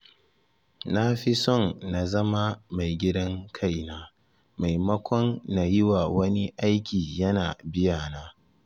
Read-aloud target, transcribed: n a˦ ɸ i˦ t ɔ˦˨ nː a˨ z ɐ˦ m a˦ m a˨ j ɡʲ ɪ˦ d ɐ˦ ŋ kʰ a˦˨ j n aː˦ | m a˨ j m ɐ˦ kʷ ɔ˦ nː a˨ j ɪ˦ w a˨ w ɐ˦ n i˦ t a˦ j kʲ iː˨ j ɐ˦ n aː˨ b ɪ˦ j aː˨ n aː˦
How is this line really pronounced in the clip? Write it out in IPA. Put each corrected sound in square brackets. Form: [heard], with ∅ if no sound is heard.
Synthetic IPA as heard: n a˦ ɸ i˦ [s] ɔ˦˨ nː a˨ z ɐ˦ m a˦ m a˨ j ɡʲ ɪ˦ d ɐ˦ ŋ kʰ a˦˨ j n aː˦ | m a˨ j m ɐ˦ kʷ ɔ˦ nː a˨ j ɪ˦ w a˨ w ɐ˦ n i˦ [ʔ] a˦ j kʲ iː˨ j ɐ˦ n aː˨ b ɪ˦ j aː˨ n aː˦